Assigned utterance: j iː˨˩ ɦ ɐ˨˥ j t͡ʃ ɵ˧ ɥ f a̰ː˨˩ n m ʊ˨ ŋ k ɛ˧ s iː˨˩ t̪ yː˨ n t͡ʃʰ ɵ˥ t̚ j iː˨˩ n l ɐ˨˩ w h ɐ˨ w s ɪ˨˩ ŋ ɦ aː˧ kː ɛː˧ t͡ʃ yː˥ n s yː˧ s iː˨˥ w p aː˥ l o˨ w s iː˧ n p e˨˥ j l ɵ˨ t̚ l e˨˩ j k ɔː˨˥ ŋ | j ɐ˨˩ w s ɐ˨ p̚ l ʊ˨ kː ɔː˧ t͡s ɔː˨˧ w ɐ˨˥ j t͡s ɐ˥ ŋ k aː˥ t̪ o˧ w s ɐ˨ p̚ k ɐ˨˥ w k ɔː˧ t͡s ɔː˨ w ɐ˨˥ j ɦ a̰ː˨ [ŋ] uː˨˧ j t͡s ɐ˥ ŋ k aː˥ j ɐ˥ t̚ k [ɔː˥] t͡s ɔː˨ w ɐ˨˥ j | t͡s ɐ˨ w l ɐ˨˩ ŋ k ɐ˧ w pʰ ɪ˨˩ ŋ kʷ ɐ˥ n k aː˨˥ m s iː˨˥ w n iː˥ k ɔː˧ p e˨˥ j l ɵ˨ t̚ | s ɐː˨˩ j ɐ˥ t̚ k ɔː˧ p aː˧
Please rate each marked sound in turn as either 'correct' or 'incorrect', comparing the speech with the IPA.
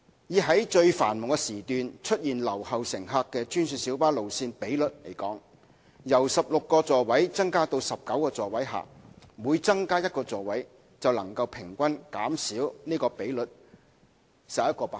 incorrect: m, incorrect: ɔː˧

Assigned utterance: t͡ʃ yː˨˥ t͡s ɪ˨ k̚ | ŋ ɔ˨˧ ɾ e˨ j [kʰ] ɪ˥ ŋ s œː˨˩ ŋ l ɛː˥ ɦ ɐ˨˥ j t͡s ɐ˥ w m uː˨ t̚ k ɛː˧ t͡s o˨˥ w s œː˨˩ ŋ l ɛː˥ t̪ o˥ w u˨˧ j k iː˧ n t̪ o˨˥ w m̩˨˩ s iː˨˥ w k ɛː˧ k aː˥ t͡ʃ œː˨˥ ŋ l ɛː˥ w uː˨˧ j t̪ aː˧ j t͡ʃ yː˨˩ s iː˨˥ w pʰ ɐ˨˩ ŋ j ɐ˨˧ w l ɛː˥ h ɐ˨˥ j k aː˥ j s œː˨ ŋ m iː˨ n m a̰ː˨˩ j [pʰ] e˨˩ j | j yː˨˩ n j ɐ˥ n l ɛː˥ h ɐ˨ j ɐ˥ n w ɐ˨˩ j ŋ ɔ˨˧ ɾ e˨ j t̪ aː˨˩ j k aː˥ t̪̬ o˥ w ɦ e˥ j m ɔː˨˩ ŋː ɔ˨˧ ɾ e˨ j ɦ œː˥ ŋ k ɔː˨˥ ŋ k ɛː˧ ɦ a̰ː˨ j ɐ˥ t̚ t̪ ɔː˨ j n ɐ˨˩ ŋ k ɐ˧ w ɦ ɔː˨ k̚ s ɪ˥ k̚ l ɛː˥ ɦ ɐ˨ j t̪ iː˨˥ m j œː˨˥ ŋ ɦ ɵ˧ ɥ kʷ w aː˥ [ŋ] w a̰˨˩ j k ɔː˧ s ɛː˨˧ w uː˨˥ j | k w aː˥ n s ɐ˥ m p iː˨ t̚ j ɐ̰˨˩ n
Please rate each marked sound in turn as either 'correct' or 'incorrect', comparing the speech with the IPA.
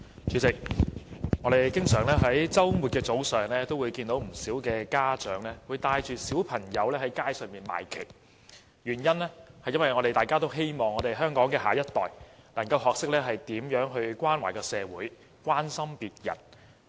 incorrect: k, incorrect: kʰ, incorrect: n

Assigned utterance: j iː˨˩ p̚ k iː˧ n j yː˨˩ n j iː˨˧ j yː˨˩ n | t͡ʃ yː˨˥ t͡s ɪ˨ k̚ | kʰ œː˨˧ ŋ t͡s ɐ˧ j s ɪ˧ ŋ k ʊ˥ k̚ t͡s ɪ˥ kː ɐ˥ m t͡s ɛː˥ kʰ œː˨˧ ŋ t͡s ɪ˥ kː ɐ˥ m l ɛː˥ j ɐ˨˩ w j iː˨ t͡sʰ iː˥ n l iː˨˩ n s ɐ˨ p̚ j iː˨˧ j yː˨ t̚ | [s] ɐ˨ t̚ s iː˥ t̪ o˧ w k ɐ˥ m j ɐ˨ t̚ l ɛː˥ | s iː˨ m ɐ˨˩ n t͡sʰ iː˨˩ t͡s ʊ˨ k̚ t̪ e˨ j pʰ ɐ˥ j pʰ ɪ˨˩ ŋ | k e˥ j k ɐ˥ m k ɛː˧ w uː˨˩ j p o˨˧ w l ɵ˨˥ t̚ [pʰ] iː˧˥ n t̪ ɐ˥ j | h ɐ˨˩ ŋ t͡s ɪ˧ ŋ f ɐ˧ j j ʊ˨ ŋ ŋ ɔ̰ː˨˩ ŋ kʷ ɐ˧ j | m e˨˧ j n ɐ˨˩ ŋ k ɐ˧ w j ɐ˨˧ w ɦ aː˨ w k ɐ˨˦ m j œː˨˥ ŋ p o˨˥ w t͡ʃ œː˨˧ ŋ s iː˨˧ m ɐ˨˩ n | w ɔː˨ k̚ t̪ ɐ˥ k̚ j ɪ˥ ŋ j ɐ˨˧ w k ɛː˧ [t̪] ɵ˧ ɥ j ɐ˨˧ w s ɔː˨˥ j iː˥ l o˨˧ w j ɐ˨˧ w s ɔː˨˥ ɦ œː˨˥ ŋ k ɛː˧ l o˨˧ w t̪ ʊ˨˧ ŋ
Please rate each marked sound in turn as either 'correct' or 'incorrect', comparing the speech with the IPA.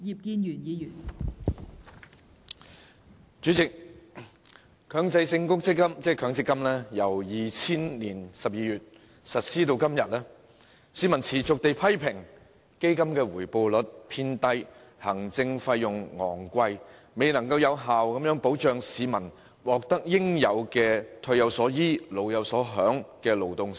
correct, correct, incorrect: t̪ʰ

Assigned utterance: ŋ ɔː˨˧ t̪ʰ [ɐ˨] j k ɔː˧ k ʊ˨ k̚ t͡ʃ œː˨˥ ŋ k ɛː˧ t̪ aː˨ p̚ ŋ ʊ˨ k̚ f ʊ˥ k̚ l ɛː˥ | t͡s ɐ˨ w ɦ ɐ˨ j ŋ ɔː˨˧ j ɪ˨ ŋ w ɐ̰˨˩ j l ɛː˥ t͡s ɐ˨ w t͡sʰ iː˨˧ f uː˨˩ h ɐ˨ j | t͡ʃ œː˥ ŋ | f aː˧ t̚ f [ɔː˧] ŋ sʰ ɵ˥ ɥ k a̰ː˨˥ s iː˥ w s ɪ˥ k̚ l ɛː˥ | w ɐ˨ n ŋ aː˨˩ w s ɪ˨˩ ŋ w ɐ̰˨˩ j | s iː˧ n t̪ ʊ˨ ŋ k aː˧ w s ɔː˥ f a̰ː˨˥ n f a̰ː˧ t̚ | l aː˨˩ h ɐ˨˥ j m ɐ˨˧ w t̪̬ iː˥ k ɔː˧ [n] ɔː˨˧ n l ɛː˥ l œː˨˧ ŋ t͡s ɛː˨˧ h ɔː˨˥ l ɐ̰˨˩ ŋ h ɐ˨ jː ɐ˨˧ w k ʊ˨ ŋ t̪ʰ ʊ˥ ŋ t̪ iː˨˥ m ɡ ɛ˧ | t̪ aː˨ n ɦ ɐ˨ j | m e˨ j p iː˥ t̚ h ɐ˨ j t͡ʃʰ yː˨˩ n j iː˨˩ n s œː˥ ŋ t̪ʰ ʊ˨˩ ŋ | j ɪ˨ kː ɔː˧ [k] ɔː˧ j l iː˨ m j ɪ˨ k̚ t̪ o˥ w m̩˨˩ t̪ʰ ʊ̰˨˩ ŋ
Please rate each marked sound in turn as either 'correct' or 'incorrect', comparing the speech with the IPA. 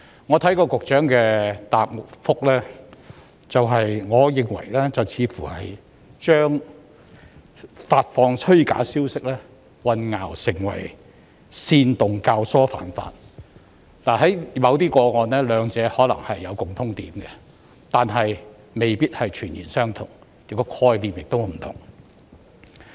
incorrect: ɐ˨˥, correct, incorrect: ŋ, incorrect: kʰ

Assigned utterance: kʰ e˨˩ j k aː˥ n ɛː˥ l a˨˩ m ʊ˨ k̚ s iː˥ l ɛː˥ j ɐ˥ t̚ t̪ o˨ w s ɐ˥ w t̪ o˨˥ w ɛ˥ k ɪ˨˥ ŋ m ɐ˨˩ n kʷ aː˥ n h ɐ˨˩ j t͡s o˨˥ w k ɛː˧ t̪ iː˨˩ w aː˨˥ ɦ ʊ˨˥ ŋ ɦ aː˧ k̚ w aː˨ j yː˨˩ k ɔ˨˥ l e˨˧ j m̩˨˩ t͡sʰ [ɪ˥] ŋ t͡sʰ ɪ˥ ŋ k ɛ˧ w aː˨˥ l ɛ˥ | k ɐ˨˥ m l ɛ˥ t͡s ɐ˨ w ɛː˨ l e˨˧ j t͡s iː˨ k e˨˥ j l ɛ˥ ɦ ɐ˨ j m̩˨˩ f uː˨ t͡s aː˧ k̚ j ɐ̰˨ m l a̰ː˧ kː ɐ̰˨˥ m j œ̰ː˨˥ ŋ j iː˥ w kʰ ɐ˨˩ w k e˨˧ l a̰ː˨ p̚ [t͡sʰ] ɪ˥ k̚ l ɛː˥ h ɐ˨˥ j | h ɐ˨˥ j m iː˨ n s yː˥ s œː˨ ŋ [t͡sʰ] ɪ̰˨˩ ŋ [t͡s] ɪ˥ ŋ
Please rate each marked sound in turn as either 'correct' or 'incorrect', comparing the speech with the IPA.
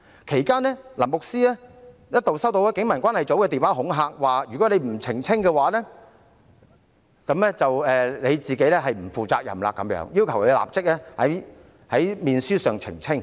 incorrect: ɪ˨˩, incorrect: t͡s, correct, incorrect: t͡sʰ

